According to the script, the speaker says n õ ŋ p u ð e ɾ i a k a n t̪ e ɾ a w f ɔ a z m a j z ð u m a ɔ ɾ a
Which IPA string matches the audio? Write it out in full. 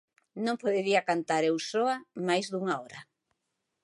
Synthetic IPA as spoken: n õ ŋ p o ð e ɾ i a k a n t̪ a ɾ e w s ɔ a m a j z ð u ŋ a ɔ ɾ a